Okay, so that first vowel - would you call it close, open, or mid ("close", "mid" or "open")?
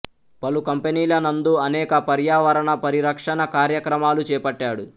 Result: open